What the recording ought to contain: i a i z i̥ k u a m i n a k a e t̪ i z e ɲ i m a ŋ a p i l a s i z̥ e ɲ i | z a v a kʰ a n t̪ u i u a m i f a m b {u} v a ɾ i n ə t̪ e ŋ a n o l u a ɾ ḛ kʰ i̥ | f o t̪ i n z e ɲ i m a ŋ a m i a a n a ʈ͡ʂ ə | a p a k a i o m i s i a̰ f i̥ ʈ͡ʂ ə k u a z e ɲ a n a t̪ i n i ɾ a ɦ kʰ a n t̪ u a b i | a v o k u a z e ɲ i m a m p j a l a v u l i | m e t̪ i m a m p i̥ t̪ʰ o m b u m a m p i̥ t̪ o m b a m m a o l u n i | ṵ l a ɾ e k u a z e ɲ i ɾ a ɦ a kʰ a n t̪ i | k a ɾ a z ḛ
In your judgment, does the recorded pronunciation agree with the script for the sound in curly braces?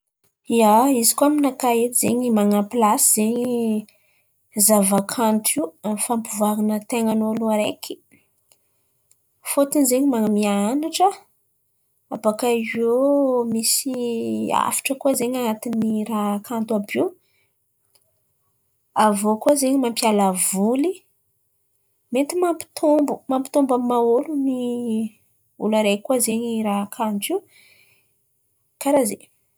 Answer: yes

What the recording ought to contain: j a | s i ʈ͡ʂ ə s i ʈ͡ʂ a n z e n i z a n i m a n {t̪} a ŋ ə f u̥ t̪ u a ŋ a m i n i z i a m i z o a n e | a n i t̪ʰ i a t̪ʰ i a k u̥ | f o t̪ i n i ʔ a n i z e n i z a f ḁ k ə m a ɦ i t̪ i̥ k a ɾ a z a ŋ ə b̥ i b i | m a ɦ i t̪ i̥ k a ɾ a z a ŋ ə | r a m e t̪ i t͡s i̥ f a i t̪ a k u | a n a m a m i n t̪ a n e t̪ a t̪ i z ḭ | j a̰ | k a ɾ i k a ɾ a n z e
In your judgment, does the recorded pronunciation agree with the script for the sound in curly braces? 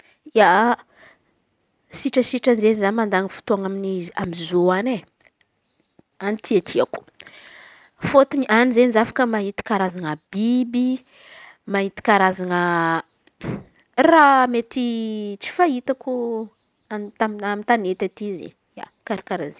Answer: no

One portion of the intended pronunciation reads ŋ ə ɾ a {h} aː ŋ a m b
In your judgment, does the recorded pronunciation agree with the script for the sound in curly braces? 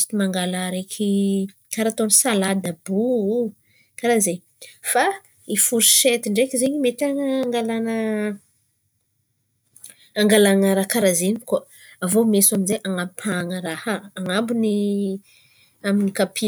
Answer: yes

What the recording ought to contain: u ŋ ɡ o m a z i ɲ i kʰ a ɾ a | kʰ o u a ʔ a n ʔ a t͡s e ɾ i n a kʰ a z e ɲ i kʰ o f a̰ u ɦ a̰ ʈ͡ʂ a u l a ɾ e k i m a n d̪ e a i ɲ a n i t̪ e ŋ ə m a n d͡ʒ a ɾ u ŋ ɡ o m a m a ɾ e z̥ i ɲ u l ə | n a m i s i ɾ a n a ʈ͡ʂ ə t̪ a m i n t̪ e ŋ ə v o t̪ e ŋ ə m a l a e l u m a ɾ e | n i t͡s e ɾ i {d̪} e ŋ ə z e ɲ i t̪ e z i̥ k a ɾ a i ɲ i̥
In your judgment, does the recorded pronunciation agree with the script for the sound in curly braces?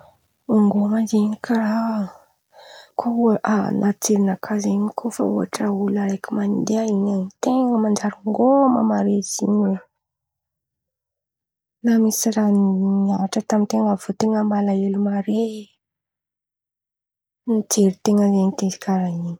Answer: no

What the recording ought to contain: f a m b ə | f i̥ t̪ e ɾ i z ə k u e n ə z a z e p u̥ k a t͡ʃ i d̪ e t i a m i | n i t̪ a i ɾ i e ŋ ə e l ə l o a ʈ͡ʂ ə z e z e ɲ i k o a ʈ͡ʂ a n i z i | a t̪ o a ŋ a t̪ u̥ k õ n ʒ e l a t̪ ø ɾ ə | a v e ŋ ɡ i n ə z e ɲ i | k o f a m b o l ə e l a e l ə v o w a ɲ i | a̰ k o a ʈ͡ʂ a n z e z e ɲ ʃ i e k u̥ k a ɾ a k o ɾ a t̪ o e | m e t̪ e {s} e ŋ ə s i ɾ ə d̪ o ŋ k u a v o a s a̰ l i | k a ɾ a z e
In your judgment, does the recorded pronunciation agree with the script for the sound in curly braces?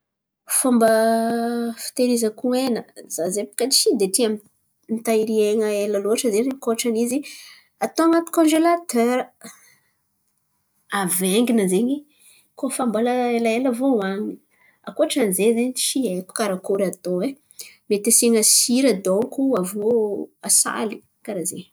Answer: yes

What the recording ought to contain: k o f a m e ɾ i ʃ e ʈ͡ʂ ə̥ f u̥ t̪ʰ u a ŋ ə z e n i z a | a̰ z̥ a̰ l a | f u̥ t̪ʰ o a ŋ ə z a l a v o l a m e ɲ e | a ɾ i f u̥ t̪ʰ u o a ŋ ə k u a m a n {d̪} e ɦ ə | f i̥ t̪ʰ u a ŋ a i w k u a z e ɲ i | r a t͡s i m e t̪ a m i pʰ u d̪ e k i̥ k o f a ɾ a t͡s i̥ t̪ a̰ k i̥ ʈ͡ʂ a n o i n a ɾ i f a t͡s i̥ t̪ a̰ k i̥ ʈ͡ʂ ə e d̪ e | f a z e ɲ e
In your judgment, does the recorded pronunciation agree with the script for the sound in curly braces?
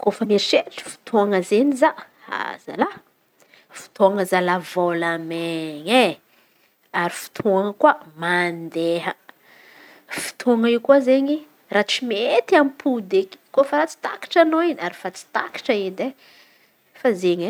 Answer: yes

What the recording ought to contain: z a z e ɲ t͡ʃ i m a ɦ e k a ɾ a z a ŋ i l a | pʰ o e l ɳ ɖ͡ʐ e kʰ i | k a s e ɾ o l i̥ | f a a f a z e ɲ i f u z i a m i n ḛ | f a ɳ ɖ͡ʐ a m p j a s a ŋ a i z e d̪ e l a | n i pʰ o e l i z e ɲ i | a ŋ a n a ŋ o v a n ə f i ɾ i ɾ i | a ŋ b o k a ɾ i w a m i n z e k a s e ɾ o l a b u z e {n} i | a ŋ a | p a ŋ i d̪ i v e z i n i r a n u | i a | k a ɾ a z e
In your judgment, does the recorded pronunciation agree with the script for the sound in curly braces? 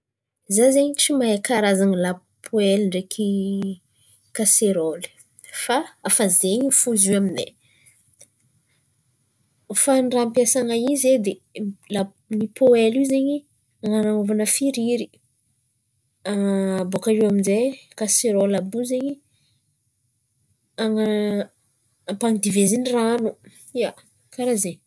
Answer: no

